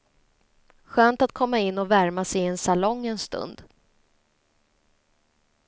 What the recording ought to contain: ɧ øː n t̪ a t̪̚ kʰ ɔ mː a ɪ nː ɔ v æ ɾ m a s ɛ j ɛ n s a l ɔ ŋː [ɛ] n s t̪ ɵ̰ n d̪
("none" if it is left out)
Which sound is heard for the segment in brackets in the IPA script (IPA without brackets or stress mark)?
ɛ